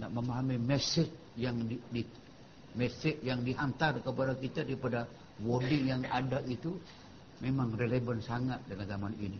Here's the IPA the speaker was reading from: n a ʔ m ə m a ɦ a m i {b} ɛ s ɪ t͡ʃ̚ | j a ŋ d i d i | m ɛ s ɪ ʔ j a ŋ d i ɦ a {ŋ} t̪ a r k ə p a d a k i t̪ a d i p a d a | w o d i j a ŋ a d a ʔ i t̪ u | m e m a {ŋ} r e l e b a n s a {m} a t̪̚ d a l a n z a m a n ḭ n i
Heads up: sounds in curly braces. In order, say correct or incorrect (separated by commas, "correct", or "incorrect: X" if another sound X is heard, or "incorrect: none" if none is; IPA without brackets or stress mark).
incorrect: m, incorrect: n, correct, incorrect: ŋ